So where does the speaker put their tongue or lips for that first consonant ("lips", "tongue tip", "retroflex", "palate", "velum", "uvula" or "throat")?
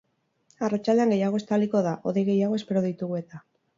tongue tip